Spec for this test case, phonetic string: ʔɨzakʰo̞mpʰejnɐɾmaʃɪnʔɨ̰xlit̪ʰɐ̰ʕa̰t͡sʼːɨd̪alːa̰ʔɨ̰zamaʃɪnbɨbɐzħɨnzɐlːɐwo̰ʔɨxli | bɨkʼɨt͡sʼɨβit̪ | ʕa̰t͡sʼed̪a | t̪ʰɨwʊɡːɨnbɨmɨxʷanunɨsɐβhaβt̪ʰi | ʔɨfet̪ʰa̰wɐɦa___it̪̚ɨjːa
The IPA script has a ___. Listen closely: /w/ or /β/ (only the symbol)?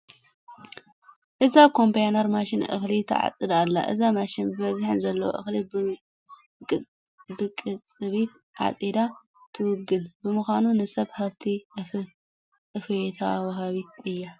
β